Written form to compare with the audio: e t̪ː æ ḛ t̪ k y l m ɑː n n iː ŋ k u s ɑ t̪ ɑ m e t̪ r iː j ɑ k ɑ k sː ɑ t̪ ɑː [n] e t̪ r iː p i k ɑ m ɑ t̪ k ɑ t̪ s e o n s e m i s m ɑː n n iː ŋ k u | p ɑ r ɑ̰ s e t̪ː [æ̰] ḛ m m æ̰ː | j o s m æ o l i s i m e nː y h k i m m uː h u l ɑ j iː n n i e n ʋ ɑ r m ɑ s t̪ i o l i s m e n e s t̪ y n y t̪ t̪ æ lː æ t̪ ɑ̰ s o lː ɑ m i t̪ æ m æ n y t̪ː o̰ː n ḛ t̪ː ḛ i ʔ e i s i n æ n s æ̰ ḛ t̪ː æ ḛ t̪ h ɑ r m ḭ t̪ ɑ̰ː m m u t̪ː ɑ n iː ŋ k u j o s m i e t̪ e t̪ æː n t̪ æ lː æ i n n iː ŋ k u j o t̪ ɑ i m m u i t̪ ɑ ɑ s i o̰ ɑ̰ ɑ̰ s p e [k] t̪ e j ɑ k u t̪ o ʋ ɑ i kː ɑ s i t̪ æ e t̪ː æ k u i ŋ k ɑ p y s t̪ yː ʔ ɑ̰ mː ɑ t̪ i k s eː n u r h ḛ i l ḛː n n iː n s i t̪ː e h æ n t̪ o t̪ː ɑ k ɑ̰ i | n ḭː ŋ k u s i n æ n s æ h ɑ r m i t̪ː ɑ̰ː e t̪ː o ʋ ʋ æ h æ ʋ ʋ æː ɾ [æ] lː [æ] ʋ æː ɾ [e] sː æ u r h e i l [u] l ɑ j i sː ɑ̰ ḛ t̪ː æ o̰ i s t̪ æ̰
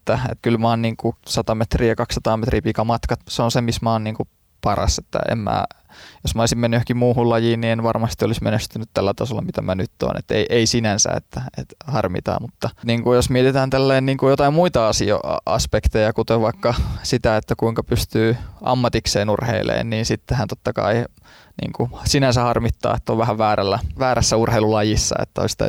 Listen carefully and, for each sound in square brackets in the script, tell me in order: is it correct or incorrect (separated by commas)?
incorrect, correct, correct, correct, correct, incorrect, correct